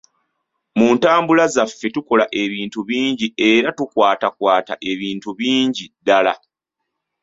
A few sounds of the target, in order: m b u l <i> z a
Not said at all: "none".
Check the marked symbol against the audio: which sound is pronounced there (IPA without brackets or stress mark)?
a